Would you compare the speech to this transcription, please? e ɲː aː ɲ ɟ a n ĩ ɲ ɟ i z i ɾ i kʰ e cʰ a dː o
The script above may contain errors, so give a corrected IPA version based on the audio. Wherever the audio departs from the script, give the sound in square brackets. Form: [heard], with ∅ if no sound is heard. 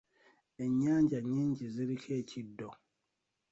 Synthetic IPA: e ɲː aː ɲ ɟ a [ɲ] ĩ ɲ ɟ i z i ɾ i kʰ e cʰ [i] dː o